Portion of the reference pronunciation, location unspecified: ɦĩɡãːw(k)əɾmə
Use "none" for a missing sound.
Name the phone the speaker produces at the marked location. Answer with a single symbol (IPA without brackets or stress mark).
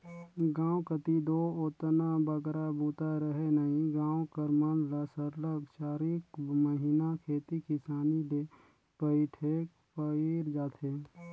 k